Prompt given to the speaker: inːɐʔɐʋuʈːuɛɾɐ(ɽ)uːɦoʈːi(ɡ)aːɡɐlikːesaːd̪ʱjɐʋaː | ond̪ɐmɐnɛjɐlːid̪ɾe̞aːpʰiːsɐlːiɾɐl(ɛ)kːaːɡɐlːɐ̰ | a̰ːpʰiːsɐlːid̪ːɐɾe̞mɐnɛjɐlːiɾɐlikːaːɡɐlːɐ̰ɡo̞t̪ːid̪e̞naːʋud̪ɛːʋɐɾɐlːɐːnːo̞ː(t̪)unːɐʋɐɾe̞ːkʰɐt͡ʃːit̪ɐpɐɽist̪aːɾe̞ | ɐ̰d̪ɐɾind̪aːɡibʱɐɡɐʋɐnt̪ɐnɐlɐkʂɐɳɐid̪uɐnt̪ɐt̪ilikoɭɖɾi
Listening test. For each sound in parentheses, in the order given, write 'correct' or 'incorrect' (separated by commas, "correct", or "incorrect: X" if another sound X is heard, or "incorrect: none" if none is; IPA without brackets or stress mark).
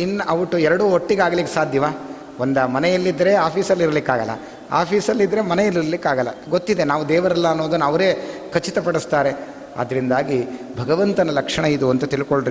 correct, correct, incorrect: i, incorrect: d̪